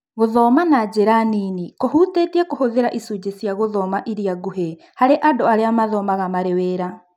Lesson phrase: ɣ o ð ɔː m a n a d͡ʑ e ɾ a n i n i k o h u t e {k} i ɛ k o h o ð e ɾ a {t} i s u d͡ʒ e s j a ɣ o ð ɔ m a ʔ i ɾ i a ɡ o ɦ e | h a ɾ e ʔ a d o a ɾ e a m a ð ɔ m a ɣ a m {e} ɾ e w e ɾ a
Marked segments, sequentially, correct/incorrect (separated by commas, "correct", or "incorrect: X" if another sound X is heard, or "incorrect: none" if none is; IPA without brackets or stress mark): incorrect: t, incorrect: ʔ, incorrect: a